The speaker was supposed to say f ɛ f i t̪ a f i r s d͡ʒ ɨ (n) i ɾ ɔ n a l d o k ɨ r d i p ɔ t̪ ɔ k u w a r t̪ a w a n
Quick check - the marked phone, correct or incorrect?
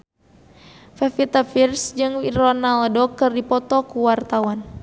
incorrect: ŋ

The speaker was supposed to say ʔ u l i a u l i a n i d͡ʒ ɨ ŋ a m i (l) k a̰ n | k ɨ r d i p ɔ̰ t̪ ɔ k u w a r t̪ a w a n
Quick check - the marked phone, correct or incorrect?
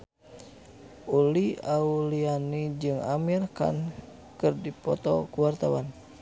incorrect: r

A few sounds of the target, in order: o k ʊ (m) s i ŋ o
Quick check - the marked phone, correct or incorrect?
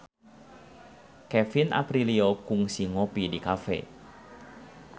incorrect: ŋ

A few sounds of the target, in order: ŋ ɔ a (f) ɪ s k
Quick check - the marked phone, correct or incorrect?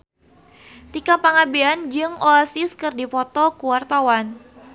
incorrect: s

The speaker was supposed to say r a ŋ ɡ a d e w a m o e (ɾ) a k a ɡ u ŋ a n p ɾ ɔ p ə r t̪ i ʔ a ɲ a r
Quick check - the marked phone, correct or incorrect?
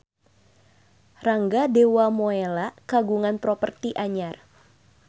incorrect: l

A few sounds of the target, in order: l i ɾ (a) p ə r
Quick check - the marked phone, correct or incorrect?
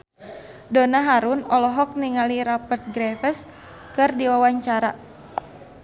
correct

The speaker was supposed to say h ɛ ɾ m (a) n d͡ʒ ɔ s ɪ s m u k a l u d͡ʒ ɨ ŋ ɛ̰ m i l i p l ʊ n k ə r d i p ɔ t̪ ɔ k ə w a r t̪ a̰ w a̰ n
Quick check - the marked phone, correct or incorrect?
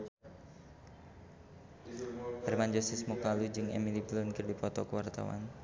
correct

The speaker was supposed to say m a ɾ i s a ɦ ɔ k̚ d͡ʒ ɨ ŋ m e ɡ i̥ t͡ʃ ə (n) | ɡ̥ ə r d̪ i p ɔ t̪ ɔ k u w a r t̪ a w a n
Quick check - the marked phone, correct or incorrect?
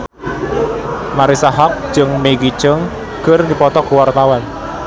incorrect: ŋ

